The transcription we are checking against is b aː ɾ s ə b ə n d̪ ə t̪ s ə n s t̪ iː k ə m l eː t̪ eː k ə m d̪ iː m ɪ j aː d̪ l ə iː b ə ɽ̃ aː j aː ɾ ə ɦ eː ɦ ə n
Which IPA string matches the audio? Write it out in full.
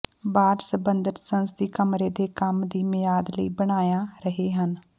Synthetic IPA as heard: b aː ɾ s ə b ə n d̪ ə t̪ s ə n s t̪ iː k ə m ɾ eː d̪ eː k ə m d̪ iː m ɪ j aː d̪ l ə iː b ə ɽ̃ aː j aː ɾ ə ɦ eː ɦ ə n